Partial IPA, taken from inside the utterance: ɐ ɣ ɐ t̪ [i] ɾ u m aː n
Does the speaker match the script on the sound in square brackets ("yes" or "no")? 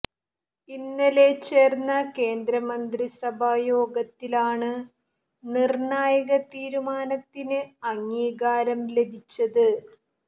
no